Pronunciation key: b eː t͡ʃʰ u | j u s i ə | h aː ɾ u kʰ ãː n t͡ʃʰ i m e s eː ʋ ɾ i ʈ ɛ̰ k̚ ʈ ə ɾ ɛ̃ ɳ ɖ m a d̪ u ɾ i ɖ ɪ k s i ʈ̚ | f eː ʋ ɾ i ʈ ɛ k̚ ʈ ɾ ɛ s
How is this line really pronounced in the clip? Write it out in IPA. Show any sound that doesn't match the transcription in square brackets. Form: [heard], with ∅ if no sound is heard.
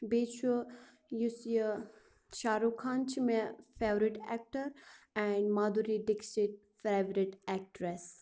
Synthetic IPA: b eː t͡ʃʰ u | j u s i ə | [ʃ] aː ɾ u kʰ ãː n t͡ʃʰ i m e [f] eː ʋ ɾ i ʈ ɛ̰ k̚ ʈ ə ɾ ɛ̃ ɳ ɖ m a d̪ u ɾ i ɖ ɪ k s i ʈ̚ | f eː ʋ ɾ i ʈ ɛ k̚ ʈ ɾ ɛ s